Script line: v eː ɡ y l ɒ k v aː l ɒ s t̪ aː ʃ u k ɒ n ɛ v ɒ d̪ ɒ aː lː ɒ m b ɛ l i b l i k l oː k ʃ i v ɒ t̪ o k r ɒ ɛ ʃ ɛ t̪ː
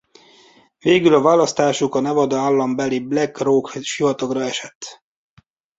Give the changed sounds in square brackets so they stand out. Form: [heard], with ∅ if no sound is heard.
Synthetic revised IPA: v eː ɡ y l ɒ [∅] v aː l ɒ s t̪ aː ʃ u k ɒ n ɛ v ɒ d̪ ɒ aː lː ɒ m b ɛ l i b l [ɛ] k [r] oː k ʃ i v ɒ t̪ o k r ɒ ɛ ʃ ɛ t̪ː